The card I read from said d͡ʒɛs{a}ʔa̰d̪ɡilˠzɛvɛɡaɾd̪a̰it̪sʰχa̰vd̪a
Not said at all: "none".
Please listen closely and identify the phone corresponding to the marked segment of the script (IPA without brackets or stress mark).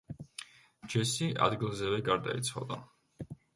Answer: i